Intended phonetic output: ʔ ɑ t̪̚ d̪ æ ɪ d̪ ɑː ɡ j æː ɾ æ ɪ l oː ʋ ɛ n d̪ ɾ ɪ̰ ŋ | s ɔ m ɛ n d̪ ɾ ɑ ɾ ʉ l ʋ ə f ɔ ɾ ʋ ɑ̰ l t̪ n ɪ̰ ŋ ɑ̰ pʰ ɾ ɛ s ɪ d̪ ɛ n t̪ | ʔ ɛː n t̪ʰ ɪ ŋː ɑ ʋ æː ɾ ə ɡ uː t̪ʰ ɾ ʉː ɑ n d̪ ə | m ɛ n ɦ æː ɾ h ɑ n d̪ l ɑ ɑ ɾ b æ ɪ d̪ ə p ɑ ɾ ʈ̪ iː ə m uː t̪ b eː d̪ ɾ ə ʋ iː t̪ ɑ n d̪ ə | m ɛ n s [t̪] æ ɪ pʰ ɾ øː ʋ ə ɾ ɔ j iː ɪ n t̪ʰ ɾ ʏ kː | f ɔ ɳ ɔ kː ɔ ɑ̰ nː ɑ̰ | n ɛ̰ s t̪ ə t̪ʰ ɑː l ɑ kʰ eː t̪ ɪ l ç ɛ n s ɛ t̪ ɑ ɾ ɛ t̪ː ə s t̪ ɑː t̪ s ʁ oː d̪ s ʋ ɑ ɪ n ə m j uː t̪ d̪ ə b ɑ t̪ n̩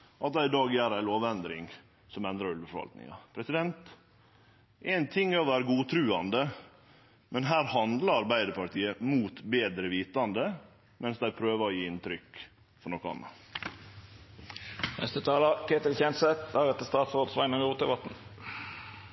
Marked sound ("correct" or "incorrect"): incorrect